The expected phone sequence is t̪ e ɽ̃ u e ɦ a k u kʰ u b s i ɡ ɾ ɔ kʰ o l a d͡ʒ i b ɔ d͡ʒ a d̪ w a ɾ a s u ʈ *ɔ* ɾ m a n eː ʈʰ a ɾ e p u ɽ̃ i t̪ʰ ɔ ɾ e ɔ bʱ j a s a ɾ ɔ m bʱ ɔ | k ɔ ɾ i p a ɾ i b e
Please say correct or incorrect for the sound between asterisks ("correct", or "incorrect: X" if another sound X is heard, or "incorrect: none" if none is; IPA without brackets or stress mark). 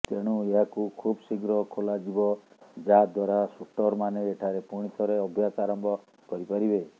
correct